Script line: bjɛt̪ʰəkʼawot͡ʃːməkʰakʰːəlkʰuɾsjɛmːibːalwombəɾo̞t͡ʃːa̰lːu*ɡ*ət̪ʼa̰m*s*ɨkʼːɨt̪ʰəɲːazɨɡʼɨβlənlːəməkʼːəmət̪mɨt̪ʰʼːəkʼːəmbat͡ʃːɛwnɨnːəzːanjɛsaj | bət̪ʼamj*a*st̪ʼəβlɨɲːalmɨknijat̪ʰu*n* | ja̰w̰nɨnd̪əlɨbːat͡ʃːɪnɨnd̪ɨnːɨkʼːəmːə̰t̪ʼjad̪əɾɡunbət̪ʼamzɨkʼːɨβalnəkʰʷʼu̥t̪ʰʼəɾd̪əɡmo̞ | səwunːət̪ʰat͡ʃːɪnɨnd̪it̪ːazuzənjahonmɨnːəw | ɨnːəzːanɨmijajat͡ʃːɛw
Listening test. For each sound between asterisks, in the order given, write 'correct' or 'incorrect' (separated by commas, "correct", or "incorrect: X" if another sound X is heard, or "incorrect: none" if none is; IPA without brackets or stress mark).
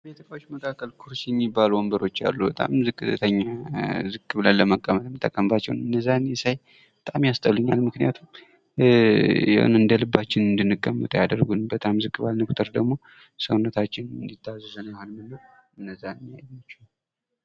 incorrect: b, incorrect: z, correct, incorrect: m